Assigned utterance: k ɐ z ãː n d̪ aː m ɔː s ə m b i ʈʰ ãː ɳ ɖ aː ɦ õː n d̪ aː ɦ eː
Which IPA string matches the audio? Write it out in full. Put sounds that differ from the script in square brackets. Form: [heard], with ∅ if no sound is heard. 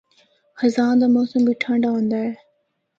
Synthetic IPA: [x] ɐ z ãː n d̪ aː m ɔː s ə m b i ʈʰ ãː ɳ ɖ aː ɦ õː n d̪ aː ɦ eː